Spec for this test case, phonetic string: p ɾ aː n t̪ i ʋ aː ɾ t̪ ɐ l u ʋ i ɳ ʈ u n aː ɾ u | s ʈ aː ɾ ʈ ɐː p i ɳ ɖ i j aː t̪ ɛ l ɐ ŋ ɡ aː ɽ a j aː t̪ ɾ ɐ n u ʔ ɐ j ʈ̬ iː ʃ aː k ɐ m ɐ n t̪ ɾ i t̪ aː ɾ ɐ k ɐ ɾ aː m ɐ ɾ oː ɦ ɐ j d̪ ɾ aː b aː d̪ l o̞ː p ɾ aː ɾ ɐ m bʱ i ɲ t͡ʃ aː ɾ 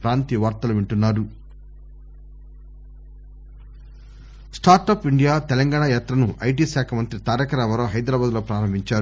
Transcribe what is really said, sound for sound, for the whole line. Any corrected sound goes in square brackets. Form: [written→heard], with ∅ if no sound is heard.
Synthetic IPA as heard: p ɾ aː n t̪ i ʋ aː ɾ t̪ ɐ l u ʋ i ɳ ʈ u [n→nː] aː ɾ u | s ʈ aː ɾ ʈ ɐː p i ɳ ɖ i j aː t̪ ɛ l ɐ ŋ ɡ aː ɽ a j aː t̪ ɾ ɐ n u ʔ ɐ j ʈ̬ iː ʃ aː [k→kʰ] ɐ m ɐ n t̪ ɾ i t̪ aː ɾ ɐ k ɐ ɾ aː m ɐ ɾ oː ɦ ɐ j d̪ ɾ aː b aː d̪ l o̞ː p ɾ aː ɾ ɐ m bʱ i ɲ t͡ʃ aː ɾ